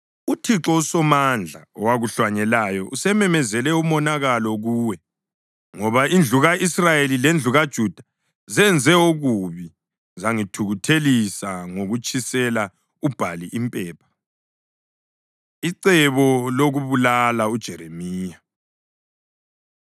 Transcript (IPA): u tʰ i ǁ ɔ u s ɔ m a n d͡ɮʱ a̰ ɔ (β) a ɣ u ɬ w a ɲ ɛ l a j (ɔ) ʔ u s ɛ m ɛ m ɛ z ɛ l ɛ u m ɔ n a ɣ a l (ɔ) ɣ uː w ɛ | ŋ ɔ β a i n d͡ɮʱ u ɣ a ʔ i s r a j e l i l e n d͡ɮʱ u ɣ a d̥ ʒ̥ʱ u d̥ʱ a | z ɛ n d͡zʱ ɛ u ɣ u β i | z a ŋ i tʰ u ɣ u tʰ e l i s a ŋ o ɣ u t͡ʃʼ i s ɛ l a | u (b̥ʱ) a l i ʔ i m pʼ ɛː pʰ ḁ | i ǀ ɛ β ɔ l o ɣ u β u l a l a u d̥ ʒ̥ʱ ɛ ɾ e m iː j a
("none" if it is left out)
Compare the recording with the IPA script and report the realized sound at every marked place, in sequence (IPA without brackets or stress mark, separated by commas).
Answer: w, ɔ, ɔ, b̥ʱ